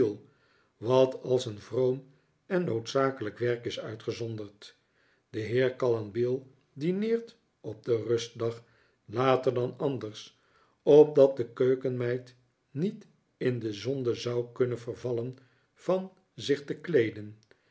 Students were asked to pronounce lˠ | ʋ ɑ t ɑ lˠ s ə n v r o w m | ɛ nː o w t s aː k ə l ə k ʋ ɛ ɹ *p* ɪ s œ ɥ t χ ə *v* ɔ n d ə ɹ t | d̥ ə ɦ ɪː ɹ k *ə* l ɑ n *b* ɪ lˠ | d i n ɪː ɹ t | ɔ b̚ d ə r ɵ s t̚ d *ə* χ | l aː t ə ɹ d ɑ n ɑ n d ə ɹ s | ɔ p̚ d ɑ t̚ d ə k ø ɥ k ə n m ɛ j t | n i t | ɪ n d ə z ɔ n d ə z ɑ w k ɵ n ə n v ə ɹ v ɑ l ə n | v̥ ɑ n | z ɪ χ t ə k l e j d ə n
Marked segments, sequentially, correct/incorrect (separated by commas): incorrect, incorrect, incorrect, correct, incorrect